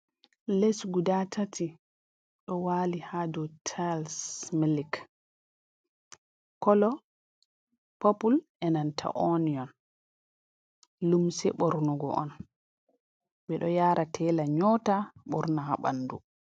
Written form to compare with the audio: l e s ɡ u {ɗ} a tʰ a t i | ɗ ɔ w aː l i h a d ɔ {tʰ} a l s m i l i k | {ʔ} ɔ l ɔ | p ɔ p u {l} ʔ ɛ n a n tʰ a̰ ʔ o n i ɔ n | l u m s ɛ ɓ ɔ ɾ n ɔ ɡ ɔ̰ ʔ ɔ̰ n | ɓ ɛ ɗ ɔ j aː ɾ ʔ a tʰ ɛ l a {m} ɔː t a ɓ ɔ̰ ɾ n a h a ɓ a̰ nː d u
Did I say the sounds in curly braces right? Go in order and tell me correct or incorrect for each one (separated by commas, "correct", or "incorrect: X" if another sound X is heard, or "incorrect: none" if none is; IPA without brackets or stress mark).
incorrect: d, correct, incorrect: k, correct, incorrect: ɲ